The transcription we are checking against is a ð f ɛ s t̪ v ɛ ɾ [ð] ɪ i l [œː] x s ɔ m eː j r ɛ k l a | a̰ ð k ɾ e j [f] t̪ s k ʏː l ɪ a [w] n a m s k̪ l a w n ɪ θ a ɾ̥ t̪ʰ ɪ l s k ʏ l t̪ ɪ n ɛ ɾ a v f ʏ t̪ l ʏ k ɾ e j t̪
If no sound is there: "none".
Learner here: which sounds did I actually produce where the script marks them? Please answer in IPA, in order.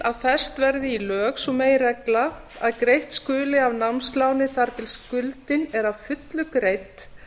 ð, œː, h, v

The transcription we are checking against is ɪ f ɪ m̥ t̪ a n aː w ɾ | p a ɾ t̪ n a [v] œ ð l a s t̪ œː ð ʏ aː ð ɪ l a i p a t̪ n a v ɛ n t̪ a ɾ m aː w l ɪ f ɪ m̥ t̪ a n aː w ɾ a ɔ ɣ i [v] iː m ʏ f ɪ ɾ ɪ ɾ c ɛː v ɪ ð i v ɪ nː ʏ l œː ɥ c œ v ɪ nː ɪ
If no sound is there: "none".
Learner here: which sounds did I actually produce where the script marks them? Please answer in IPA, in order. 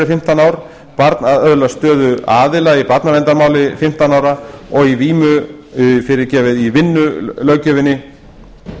ð, v

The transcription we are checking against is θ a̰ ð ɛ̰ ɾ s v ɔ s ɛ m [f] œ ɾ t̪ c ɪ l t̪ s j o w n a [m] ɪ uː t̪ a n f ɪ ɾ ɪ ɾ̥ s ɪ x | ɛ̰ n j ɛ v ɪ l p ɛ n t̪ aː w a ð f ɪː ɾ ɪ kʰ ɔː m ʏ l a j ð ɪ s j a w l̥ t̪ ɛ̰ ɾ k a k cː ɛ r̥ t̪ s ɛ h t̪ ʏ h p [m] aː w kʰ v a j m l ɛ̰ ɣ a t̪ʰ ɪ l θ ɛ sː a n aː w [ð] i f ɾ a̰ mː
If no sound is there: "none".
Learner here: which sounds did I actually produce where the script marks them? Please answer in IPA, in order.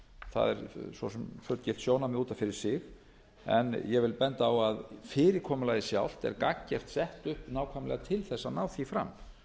f, m, n, θ

